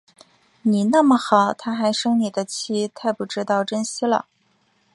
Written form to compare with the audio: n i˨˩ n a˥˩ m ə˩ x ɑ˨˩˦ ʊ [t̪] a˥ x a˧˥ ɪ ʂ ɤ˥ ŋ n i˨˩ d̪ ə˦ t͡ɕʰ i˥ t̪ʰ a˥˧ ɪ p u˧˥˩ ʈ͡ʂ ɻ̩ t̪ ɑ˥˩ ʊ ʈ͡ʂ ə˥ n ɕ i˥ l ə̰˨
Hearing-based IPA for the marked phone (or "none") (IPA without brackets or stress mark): t̪ʰ